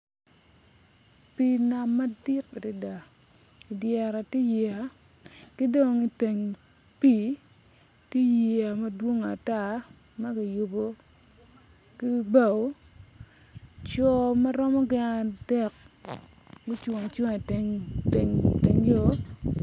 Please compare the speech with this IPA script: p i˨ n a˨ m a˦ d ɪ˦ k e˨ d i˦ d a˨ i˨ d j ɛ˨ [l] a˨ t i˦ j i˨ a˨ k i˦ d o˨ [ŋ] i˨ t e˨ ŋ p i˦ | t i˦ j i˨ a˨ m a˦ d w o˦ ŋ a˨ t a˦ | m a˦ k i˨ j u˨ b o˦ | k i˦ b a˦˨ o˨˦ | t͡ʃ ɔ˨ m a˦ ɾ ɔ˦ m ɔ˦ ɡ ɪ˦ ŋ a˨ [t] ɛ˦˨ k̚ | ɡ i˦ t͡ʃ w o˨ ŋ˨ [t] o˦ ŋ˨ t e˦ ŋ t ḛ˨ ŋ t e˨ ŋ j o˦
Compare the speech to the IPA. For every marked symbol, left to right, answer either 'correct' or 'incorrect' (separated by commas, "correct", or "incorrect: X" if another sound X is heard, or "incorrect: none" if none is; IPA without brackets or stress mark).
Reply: incorrect: ɾ, correct, incorrect: d, incorrect: t͡ʃ